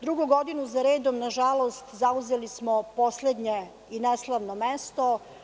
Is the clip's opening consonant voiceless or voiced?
voiced